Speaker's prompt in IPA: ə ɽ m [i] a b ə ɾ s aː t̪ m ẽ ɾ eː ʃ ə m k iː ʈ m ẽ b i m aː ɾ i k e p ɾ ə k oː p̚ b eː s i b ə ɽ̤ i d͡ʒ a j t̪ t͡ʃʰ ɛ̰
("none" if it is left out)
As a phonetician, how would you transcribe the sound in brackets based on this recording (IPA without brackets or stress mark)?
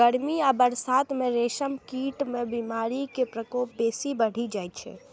i